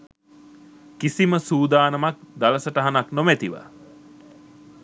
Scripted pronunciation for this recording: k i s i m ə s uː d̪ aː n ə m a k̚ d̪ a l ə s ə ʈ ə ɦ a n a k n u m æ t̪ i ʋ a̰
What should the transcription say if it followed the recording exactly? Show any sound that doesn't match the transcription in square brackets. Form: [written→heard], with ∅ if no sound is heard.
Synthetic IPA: k i s i m ə s uː d̪ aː n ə m a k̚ d̪ a l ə s ə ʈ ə ɦ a n a k n [u→o] m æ t̪ i ʋ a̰